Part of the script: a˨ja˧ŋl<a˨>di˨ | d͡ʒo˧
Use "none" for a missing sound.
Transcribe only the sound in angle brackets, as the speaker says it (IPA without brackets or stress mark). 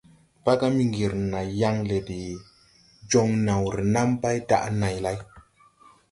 e˨